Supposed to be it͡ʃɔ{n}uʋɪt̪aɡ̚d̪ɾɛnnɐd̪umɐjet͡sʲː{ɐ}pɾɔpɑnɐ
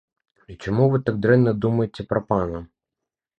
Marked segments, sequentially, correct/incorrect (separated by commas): incorrect, correct